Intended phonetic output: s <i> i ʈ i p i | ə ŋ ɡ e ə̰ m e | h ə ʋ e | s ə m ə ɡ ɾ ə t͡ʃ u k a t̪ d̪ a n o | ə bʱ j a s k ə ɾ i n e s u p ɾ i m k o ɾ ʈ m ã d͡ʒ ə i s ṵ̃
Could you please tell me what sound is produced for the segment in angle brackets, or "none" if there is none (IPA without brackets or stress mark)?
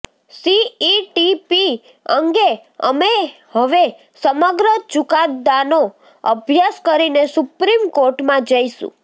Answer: i